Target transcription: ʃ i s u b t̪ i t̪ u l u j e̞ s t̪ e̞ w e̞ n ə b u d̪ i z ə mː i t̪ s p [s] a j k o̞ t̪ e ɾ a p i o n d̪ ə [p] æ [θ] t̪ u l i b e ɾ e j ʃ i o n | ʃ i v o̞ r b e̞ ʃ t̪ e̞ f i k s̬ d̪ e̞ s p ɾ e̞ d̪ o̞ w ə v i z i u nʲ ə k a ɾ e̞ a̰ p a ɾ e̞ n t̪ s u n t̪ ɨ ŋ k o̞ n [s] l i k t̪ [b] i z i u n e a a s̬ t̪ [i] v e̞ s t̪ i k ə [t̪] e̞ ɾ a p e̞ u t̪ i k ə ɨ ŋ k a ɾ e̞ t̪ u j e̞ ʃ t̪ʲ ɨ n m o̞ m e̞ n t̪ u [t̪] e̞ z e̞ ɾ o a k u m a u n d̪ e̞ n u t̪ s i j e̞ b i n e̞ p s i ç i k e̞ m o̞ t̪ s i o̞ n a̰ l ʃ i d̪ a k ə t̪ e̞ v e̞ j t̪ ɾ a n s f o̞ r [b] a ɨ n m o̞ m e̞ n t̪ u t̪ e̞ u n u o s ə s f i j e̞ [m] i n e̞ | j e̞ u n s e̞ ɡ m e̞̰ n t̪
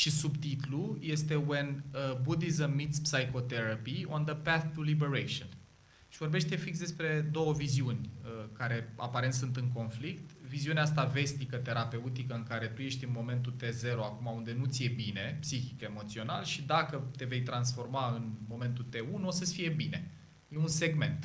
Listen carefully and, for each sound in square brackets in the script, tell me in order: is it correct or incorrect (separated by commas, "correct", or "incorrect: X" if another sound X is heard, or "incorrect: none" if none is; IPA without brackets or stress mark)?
correct, correct, correct, incorrect: f, incorrect: v, incorrect: a, correct, correct, incorrect: m, incorrect: b